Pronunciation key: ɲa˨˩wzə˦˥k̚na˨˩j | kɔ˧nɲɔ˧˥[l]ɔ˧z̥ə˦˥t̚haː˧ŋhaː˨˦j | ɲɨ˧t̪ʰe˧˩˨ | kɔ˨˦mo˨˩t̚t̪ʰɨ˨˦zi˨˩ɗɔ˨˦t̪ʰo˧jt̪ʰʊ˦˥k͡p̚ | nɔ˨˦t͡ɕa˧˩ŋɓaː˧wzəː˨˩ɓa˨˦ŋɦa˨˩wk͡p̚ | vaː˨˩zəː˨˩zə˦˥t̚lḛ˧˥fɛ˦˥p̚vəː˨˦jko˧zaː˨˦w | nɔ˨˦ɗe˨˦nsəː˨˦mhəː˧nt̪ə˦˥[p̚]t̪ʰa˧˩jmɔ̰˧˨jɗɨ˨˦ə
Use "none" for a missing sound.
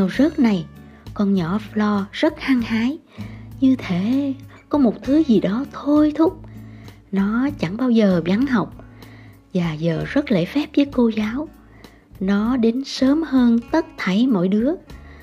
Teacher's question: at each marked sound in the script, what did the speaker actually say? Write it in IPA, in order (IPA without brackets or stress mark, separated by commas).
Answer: l, t̚